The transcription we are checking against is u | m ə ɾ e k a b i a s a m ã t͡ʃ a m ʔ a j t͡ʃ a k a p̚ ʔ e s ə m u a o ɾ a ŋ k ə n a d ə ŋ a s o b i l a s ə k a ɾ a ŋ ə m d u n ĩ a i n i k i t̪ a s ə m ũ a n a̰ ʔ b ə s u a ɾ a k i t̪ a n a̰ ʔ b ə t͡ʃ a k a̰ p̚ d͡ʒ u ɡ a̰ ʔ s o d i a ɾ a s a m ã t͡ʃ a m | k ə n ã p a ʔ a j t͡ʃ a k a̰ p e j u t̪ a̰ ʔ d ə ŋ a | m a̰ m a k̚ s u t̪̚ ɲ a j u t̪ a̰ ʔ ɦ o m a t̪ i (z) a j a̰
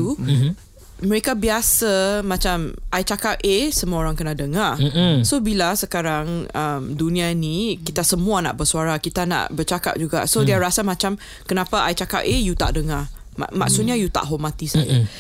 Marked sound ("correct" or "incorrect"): incorrect